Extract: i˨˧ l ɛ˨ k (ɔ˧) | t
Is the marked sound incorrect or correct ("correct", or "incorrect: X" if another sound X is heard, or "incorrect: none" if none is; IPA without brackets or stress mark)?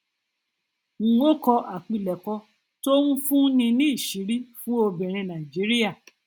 correct